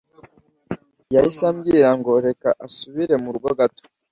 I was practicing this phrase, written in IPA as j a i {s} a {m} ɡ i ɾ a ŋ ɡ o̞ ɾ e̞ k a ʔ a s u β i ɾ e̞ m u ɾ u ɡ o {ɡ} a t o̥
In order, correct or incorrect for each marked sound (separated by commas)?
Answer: correct, correct, correct